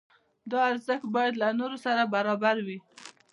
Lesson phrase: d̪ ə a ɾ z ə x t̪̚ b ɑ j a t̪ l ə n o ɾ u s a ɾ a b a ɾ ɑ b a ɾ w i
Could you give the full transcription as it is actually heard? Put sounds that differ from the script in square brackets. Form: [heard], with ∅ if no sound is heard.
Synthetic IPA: d̪ [ɑ] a ɾ z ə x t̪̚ b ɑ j a [d̪] l [a] n o ɾ [o] s a ɾ a b a ɾ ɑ b a ɾ w i